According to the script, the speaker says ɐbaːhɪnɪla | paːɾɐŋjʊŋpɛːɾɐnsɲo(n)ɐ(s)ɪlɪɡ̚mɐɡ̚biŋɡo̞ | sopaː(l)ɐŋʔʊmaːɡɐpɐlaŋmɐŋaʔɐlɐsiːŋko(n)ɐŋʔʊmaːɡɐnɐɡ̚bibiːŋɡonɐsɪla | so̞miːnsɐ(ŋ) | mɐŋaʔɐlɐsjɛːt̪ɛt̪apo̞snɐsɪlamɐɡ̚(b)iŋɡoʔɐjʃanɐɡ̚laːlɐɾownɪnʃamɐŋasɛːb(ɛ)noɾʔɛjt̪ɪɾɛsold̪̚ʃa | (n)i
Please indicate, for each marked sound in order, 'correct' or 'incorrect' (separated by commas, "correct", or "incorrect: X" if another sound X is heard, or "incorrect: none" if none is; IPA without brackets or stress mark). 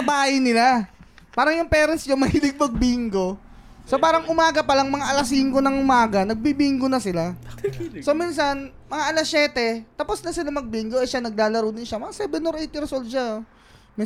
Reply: incorrect: m, incorrect: h, incorrect: ɾ, correct, incorrect: n, correct, correct, incorrect: m